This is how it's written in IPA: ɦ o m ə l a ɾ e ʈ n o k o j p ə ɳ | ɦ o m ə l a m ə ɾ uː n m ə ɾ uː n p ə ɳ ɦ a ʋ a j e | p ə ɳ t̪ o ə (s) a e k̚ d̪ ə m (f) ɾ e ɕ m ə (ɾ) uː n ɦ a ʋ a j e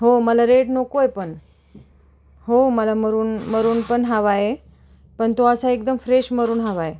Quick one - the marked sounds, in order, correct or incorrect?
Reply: correct, correct, correct

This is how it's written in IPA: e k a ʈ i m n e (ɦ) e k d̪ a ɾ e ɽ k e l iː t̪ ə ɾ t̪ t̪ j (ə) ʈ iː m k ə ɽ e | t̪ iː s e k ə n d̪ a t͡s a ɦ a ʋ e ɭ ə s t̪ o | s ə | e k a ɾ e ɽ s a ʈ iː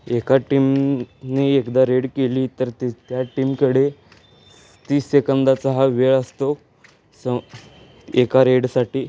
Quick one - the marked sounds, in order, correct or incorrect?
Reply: incorrect, incorrect

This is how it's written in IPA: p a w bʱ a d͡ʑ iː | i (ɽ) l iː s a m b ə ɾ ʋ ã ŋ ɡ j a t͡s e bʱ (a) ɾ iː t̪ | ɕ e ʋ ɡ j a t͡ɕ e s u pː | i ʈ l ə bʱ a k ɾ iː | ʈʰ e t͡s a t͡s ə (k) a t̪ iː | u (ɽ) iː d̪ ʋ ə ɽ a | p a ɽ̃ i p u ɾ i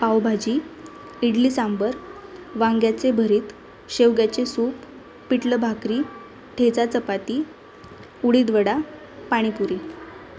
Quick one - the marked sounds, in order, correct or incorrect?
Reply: correct, incorrect, incorrect, correct

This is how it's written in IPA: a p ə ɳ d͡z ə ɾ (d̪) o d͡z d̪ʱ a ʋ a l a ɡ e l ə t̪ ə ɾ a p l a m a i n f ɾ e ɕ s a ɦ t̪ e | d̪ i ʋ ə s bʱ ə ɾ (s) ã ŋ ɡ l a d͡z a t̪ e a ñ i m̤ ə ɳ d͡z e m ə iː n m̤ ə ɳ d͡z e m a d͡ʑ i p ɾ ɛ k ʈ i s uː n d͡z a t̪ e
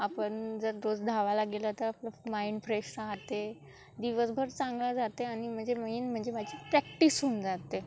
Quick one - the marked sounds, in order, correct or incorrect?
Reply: correct, incorrect

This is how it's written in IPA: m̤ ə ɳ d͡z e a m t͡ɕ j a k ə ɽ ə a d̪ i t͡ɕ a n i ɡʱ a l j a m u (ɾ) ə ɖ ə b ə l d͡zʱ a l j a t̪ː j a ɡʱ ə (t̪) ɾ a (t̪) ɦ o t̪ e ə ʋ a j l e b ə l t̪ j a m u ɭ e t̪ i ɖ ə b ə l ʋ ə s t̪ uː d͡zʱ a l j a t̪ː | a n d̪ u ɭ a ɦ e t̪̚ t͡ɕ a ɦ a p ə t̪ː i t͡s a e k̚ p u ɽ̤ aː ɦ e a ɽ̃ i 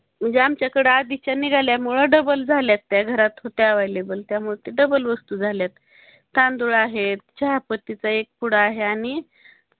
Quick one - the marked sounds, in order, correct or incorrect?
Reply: incorrect, incorrect, correct

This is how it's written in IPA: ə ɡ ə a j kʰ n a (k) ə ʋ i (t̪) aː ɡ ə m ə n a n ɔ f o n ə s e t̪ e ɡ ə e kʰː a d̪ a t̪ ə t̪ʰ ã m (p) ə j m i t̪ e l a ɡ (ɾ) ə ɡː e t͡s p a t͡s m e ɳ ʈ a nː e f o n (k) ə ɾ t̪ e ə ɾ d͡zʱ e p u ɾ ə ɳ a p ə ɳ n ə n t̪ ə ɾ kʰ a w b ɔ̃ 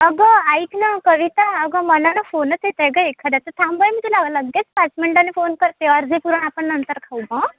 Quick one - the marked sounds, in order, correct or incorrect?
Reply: correct, correct, incorrect, incorrect, correct

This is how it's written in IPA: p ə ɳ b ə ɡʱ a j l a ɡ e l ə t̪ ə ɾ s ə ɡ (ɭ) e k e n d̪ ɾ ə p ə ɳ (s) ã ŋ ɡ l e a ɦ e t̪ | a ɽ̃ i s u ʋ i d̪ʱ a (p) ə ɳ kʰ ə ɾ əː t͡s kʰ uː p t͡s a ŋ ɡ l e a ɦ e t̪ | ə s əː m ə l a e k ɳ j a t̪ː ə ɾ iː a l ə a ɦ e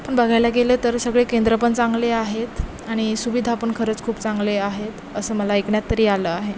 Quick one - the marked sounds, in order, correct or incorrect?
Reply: correct, incorrect, correct

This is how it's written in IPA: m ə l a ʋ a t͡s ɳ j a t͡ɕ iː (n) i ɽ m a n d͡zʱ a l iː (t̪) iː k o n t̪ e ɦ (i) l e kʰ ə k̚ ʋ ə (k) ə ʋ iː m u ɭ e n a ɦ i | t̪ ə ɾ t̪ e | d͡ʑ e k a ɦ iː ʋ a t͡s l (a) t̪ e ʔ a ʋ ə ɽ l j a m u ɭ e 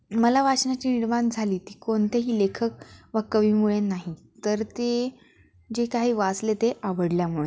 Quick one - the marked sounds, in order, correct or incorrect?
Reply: correct, correct, incorrect, correct, incorrect

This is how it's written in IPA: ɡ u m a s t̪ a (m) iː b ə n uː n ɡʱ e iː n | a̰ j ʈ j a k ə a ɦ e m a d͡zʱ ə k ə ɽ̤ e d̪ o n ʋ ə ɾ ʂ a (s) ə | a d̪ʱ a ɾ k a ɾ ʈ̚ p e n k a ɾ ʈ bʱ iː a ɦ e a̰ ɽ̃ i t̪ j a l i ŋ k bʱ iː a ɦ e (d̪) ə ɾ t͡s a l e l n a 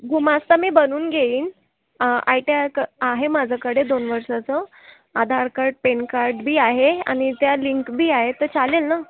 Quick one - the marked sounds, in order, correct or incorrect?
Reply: correct, incorrect, incorrect

